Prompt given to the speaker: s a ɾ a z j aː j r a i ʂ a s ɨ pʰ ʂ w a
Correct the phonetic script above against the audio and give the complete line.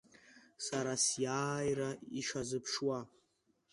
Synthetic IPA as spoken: s a ɾ a s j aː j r a i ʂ a z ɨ pʰ ʂ w a